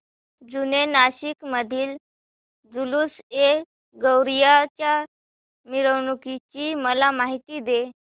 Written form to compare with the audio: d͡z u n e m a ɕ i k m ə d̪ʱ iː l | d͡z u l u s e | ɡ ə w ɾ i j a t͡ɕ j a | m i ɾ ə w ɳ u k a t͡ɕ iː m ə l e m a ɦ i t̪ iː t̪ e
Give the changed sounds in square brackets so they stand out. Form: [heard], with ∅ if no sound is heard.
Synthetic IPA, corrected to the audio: d͡z u n e [n] a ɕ i k m ə d̪ʱ iː l | d͡z u l u s e | ɡ ə w ɾ i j a t͡ɕ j a | m i ɾ ə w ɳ u k [i] t͡ɕ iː m ə l [a] m a ɦ i t̪ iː [d̪] e